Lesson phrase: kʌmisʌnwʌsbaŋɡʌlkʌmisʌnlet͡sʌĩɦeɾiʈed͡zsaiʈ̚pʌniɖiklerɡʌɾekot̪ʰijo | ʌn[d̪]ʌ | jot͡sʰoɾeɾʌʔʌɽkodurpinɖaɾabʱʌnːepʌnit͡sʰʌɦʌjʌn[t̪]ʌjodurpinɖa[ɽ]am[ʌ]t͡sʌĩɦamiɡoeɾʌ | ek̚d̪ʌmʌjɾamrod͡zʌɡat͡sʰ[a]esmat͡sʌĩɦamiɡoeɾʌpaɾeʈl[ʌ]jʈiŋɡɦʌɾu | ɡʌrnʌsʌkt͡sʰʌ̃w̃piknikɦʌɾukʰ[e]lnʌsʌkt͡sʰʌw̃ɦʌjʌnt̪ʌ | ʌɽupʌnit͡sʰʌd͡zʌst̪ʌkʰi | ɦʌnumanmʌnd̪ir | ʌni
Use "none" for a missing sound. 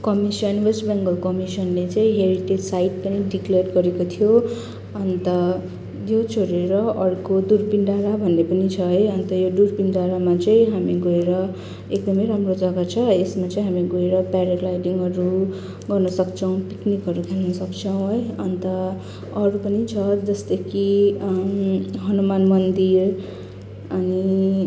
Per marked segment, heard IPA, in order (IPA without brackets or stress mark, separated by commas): t̪, t̪, ɾ, a, ʌ, a, e